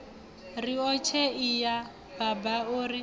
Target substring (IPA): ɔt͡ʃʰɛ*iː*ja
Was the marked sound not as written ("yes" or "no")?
yes